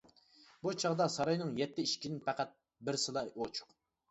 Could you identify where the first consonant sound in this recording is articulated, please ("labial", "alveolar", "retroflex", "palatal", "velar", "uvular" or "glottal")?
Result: labial